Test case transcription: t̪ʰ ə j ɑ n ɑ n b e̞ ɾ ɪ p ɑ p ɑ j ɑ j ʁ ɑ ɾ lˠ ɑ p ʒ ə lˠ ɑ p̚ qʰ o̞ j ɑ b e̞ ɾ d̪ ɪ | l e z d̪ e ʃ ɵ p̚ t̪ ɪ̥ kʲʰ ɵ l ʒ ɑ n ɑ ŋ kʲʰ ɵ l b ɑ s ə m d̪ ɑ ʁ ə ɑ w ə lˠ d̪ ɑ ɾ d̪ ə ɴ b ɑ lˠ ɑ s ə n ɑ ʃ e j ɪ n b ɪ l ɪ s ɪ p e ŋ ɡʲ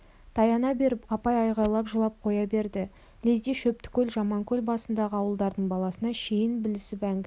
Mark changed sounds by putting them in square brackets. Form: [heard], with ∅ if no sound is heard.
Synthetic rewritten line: t̪ʰ [ɑ] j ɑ n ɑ [∅] b e̞ ɾ ɪ p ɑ p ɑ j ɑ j ʁ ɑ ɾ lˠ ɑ p ʒ ə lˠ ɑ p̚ qʰ o̞ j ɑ b e̞ ɾ d̪ ɪ | l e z d̪ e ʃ ɵ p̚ t̪ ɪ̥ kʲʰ ɵ l ʒ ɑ [m] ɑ ŋ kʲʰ ɵ l b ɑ s ə [n] d̪ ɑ ʁ ə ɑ w ə lˠ d̪ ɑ ɾ d̪ ə ɴ b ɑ lˠ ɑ s ə n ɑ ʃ e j ɪ n b ɪ l ɪ s ɪ p [æ] ŋ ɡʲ